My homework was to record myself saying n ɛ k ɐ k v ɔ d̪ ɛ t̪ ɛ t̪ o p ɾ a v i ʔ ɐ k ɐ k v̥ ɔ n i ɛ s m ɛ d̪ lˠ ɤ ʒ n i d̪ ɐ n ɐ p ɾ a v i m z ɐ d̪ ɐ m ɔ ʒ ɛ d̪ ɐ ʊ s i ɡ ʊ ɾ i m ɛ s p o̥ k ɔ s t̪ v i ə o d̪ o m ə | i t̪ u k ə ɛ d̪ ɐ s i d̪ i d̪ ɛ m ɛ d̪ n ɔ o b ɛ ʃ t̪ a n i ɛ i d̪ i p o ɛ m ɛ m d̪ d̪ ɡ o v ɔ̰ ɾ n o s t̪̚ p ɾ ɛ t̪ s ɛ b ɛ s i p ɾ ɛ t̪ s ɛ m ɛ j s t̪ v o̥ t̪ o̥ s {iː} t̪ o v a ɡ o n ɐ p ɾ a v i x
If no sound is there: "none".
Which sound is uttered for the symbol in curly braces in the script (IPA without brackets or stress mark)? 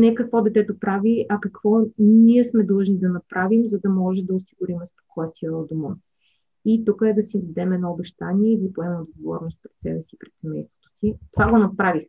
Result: i